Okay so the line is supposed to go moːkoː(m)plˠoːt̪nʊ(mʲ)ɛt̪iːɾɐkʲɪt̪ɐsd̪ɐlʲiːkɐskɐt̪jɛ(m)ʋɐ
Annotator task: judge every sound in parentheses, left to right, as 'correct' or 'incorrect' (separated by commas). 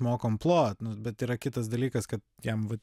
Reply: correct, incorrect, correct